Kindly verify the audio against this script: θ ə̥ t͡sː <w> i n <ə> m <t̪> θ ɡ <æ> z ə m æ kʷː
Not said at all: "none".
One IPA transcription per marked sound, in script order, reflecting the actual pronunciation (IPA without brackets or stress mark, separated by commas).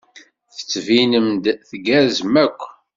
v, ə, d̪, æ